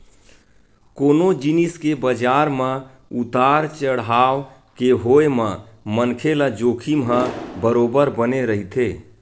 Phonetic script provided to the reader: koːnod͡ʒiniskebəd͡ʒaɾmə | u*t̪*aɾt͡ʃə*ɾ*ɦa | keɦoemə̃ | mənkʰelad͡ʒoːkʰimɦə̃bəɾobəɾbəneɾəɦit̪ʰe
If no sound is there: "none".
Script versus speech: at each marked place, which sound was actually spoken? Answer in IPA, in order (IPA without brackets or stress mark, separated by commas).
t̪, ɽ